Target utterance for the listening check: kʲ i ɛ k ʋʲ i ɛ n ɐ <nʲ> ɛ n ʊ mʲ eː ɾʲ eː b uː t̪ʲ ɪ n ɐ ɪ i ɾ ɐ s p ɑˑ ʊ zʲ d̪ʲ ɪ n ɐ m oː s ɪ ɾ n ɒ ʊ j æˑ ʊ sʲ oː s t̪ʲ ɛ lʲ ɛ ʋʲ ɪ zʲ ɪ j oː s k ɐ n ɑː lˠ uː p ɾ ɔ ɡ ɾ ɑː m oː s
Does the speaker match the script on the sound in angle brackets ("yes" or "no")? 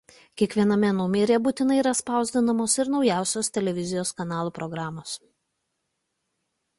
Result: no